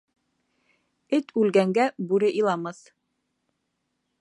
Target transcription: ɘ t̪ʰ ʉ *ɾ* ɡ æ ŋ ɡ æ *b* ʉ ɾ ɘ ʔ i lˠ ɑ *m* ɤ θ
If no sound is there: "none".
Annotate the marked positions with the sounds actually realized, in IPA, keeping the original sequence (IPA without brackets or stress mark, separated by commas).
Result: l, b, m